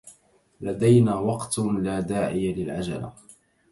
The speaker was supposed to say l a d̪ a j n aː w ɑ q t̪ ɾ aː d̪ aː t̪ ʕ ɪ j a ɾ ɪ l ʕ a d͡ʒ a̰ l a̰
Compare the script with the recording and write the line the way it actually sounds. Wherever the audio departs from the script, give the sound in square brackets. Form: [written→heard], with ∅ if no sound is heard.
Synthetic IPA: l a d̪ a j n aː w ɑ q t̪ [ɾ→l] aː d̪ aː [t̪→∅] ʕ ɪ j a [ɾ→l] ɪ l ʕ a d͡ʒ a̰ l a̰